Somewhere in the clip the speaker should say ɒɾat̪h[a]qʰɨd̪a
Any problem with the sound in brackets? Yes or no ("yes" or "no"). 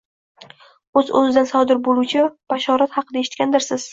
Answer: yes